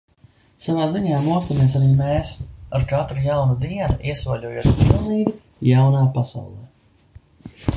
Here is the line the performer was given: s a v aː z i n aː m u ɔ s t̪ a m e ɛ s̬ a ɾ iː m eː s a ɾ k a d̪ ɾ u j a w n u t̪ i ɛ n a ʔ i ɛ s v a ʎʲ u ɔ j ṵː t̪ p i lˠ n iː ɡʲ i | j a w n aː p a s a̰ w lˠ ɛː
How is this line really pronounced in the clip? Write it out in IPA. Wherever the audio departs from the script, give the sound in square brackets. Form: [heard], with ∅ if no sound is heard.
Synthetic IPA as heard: s a v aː z i [ɲ] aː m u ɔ s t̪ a m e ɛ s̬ a ɾ iː m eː s a ɾ k a [t̪] ɾ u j a w n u [d̪] i ɛ n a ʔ i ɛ s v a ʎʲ u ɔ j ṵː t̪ p i lˠ n iː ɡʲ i | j a w n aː p a s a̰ w lˠ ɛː